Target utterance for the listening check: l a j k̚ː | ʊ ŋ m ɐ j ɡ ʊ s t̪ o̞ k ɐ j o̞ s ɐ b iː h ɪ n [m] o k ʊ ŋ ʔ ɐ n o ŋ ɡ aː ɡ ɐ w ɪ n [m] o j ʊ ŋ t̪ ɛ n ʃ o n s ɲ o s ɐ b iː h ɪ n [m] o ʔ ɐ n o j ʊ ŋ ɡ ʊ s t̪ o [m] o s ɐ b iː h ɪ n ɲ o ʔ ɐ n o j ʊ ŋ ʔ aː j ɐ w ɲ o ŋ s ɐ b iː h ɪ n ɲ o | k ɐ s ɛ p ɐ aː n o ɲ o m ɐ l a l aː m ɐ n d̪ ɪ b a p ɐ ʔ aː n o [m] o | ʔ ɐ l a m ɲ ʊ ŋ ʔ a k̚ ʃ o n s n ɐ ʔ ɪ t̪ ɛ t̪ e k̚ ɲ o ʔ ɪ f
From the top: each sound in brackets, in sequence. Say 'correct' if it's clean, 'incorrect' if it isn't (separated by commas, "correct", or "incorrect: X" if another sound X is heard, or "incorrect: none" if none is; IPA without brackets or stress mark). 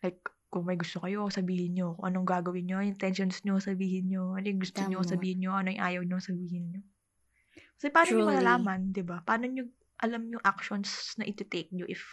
incorrect: ɲ, incorrect: ɲ, incorrect: ɲ, incorrect: ɲ, incorrect: ɲ